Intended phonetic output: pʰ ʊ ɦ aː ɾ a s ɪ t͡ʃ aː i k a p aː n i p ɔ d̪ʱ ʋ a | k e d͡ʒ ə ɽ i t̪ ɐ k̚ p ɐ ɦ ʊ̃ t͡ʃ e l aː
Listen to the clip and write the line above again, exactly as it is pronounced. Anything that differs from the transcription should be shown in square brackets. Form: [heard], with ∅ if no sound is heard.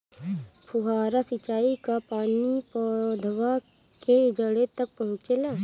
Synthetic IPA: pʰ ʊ ɦ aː ɾ a s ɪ t͡ʃ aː i k a p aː n i p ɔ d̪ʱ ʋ a | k e d͡ʒ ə ɽ [e] t̪ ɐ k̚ p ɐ ɦ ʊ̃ t͡ʃ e l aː